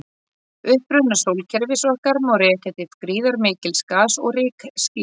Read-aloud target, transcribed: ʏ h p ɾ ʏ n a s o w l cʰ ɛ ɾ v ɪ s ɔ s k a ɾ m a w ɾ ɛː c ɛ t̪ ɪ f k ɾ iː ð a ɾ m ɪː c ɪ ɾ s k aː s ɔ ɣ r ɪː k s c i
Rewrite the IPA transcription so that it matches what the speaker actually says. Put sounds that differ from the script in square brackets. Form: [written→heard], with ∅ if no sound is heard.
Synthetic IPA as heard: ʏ h p ɾ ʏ n a s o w l cʰ ɛ ɾ v ɪ s ɔ [s→h] k a ɾ m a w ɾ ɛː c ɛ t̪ ɪ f k ɾ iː ð a ɾ m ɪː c ɪ [ɾ→l] s k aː s ɔ ɣ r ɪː k s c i